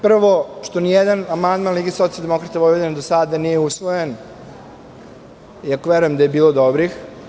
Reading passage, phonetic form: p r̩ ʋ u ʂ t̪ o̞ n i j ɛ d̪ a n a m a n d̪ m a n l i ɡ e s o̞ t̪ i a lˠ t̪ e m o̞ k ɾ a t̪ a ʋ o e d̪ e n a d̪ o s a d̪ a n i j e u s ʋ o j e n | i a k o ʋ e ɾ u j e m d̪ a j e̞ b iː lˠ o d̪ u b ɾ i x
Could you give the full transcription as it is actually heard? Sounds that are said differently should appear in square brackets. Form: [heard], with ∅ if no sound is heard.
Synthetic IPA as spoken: p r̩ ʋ [o] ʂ t̪ o̞ n i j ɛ d̪ a n a m a n d̪ m a n l i ɡ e s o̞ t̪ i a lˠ [d̪] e m o̞ k ɾ a t̪ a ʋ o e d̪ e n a d̪ o s a d̪ a n i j e u s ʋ o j e n | i a k o ʋ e ɾ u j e m d̪ a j e̞ b iː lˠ o d̪ [o] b ɾ i x